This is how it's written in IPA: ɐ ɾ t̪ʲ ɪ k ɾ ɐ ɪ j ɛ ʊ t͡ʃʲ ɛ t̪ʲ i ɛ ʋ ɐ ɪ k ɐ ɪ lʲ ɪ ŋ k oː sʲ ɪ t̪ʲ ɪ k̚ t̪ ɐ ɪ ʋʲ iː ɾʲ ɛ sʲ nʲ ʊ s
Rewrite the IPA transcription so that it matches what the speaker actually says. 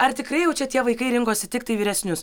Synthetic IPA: ɐ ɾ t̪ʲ ɪ k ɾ ɐ ɪ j ɛ ʊ t͡ʃʲ ɛ t̪ʲ i ɛ ʋ ɐ ɪ k ɐ ɪ ɾʲ ɪ ŋ k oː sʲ ɪ t̪ʲ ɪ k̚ t̪ ɐ ɪ ʋʲ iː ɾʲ ɛ sʲ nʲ ʊ s